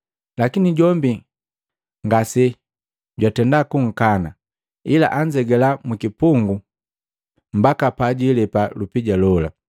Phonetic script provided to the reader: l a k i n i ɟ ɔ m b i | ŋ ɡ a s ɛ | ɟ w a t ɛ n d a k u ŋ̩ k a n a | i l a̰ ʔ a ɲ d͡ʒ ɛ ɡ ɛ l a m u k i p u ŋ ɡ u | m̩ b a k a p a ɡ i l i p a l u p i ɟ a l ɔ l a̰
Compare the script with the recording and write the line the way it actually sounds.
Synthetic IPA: l a k i n i ɟ ɔ m b i | ŋ ɡ a s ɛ | ɟ w a t ɛ n d a k u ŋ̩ k a n a | i l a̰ ʔ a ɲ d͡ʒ ɛ ɡ ɛ l a m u k i p u ŋ ɡ u | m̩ b a k a p a ɟ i l ɛ p a l u p i ɟ a l ɔ l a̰